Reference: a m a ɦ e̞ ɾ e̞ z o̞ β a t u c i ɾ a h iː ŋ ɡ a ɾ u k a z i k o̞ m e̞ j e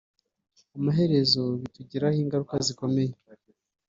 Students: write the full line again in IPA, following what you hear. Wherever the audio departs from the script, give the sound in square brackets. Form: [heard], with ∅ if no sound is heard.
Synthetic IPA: a m a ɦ e̞ ɾ e̞ z o̞ β [i] t u [ɟ] i ɾ a h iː ŋ ɡ a ɾ u k a z i k o̞ m e̞ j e